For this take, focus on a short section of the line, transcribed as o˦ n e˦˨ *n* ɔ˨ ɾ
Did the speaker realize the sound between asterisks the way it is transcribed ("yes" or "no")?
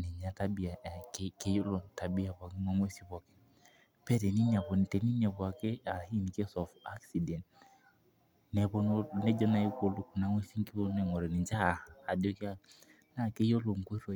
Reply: no